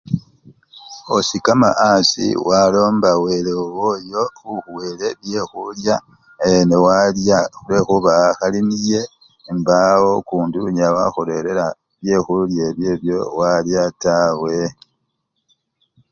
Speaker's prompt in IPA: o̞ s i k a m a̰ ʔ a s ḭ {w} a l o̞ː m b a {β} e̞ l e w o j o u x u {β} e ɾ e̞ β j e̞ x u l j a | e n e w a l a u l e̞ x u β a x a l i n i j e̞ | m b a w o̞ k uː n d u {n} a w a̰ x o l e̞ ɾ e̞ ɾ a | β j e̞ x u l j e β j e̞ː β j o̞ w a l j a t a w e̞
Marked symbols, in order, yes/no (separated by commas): yes, no, no, no